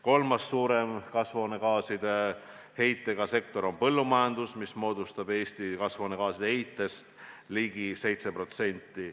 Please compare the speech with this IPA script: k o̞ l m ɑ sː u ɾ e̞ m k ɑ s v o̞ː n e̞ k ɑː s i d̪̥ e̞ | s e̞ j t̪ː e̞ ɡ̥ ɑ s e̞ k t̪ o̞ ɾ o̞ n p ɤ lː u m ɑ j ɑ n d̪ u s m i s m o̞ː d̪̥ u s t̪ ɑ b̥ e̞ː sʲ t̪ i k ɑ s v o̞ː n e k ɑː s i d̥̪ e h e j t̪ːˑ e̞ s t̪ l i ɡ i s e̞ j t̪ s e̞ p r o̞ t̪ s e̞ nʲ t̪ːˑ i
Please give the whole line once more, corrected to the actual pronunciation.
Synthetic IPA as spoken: k o̞ l m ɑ sː uː ɾ e̞ m k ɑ s v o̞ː n e̞ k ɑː s i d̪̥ e̞ | h e̞ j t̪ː e̞ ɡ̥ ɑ s e̞ k t̪ o̞ ɾ o̞ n p ɤ lː u m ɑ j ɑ n d̪ u s m i s m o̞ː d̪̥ u s t̪ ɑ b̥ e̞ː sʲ t̪ i k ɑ s v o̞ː n e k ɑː s i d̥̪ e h e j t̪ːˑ e̞ s t̪ l i ɡ i s e̞ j t̪ s e̞ p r o̞ t̪ s e̞ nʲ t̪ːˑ i